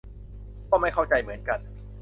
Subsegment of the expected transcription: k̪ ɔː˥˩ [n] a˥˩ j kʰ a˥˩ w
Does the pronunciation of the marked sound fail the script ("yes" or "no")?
yes